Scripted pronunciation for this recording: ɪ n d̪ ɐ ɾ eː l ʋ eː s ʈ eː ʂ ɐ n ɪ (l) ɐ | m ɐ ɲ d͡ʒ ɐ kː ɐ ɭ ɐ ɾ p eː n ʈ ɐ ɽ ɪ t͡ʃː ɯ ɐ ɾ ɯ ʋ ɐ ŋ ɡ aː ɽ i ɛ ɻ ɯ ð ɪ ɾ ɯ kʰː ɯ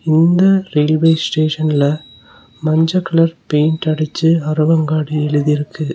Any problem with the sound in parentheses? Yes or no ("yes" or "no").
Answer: no